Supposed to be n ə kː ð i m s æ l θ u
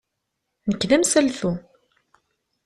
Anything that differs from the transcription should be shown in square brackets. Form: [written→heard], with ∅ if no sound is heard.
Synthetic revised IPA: n ə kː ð [i→æ] m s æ l θ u